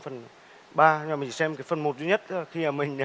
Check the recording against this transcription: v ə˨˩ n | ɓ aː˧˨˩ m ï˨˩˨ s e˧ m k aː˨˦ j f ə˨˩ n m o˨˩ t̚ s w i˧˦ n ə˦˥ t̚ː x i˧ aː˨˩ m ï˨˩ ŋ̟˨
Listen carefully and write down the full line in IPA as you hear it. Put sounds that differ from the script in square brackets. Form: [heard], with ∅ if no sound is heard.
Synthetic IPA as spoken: [f] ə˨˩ n | ɓ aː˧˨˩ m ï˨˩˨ s [ɛ˧] m k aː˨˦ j f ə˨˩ n m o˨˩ t̚ [z] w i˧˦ [ɲ] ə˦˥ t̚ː x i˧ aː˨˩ m ï˨˩ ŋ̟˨